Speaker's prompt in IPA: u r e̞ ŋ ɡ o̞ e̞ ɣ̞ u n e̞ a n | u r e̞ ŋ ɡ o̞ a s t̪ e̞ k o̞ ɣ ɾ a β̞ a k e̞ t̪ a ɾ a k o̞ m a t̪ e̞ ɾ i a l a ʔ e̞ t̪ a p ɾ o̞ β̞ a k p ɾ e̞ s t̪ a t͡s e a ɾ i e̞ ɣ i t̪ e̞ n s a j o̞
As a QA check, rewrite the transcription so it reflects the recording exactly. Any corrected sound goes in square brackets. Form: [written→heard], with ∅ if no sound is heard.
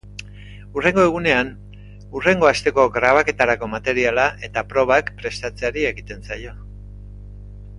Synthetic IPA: u r e̞ ŋ ɡ o̞ e̞ ɣ̞ u n e̞ a n | u r e̞ ŋ ɡ o̞ a s t̪ e̞ k o̞ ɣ ɾ a β̞ a k e̞ t̪ a ɾ a k o̞ m a t̪ e̞ ɾ i a l a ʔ e̞ t̪ a p ɾ o̞ β̞ a k p ɾ e̞ s t̪ a t͡s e a ɾ i e̞ ɣ i t̪ e̞ n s a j o̞